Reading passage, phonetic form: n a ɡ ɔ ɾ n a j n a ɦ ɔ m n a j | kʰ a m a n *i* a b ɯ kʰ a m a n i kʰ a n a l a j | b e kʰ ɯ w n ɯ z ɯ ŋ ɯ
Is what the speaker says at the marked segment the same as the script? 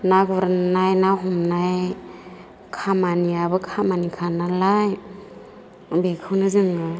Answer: yes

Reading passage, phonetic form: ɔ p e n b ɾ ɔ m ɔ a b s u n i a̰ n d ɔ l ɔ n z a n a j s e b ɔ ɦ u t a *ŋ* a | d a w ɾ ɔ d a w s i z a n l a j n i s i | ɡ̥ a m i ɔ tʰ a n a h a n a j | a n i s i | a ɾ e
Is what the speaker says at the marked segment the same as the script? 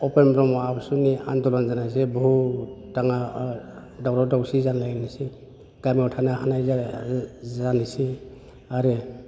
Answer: yes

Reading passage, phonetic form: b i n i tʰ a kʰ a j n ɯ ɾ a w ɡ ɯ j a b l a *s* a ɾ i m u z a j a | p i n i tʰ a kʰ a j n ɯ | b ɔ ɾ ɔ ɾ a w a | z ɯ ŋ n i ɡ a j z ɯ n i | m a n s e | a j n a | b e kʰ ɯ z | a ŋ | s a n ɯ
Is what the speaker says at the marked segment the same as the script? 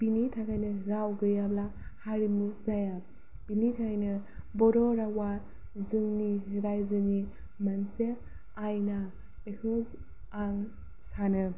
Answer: no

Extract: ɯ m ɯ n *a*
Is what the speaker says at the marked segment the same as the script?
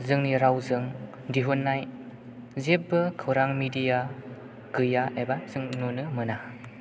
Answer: yes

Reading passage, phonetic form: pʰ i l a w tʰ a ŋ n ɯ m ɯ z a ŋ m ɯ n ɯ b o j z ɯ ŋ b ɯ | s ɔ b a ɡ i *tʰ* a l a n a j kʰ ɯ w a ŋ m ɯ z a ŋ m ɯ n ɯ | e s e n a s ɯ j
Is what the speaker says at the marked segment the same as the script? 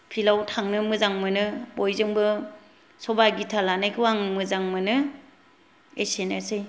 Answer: yes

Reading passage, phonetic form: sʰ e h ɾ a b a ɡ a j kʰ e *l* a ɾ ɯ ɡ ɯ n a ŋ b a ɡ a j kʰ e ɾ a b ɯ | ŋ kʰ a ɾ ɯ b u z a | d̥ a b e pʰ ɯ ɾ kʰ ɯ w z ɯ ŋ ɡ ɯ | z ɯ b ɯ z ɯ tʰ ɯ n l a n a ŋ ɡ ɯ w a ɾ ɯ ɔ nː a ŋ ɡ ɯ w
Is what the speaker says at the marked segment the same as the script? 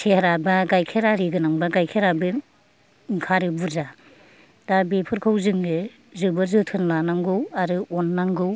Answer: no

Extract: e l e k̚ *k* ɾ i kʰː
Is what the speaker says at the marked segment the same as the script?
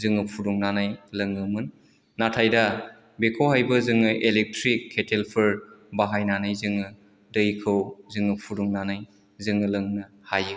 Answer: no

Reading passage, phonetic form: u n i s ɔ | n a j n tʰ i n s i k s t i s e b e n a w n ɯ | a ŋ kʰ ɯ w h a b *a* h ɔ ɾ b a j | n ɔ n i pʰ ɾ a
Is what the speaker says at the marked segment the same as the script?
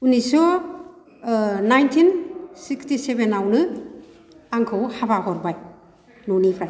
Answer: yes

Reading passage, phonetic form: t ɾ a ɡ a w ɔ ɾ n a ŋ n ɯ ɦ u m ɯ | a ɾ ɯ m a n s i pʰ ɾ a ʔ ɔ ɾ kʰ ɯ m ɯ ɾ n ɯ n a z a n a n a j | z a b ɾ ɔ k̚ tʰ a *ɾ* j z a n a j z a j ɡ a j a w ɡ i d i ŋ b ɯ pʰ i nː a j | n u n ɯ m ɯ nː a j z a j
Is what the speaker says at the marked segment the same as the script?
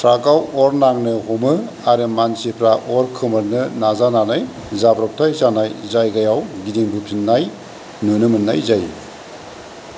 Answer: no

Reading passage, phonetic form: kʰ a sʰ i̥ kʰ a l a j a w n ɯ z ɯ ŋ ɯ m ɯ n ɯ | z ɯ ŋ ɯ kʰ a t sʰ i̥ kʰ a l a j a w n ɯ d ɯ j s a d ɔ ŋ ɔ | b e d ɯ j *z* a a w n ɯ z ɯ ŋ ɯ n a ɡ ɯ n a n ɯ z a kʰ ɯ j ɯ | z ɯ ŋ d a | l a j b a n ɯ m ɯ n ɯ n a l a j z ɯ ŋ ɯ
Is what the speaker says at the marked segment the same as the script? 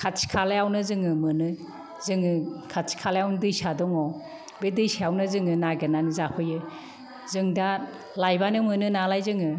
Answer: no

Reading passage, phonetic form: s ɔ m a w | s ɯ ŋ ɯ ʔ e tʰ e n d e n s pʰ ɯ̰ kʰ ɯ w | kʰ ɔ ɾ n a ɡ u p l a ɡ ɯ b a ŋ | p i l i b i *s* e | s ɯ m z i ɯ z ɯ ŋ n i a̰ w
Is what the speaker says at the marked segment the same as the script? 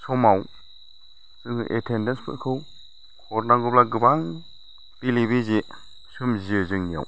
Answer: no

